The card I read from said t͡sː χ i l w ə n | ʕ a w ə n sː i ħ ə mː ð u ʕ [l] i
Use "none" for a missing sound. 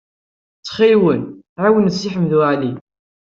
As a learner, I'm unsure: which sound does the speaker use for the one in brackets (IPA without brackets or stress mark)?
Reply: l